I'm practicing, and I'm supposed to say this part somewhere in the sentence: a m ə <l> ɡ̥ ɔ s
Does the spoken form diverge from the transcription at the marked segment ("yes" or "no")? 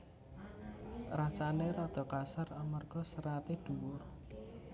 yes